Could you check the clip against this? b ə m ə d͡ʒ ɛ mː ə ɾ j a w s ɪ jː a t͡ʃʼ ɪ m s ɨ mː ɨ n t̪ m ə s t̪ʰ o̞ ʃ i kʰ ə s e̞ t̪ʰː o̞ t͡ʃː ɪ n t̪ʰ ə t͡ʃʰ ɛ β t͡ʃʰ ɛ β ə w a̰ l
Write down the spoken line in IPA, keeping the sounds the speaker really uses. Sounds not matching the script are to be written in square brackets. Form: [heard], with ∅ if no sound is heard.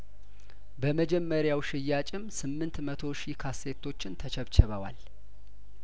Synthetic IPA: b ə m ə d͡ʒ ɛ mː ə ɾ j a w [ʃ] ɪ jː a t͡ʃʼ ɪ m s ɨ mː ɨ n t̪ m ə [∅] t̪ʰ o̞ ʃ i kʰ [a] s e̞ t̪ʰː o̞ t͡ʃː ɪ n t̪ʰ ə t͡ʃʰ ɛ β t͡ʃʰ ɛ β ə w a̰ l